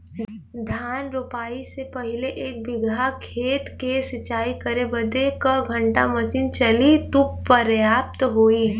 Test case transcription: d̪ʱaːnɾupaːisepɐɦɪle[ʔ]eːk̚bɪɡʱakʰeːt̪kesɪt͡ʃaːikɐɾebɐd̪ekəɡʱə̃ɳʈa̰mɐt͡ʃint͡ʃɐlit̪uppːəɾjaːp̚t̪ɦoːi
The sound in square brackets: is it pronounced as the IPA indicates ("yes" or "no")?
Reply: yes